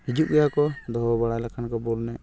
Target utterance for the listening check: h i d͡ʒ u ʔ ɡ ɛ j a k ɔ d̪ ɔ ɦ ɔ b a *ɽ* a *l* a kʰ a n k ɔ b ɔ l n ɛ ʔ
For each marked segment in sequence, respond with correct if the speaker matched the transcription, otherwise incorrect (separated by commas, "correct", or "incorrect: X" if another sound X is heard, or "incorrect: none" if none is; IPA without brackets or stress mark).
correct, correct